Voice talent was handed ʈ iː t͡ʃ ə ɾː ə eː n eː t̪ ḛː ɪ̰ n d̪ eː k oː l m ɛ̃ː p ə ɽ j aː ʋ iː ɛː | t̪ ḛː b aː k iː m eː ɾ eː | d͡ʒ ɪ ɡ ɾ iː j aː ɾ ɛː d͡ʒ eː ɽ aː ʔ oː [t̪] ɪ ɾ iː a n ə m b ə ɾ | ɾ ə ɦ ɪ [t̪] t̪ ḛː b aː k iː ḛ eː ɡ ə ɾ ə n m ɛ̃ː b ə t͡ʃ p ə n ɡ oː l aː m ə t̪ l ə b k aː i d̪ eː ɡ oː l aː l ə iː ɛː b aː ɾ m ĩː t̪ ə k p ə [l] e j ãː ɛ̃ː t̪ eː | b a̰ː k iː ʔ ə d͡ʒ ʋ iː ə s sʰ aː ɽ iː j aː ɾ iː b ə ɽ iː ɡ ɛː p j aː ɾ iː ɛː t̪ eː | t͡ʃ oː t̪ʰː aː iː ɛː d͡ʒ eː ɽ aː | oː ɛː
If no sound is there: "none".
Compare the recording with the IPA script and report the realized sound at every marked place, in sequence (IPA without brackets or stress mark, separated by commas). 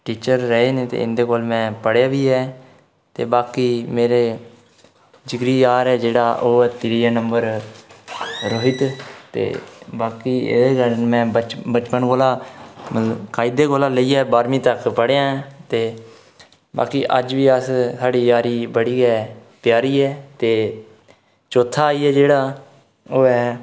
t̪, t̪, ɽ